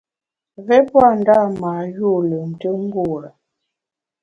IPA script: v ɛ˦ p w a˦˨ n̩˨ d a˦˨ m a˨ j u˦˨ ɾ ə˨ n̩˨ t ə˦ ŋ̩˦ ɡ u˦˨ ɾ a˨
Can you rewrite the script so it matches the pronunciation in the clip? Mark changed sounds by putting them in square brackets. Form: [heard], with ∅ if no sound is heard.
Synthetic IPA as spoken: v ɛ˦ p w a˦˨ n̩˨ d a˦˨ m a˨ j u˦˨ [l] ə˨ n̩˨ t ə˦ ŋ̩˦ ɡ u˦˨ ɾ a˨